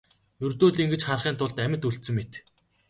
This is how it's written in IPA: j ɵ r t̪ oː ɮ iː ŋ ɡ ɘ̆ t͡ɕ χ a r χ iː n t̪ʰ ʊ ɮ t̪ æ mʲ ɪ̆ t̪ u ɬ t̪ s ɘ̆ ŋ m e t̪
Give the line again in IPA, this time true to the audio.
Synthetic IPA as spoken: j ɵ r t̪ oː ɮ i ŋ ɡ ɘ̆ t͡ɕ χ a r χ iː n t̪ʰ ʊ ɮ t̪ æ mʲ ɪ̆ t̪ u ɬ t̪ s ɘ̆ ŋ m e t̪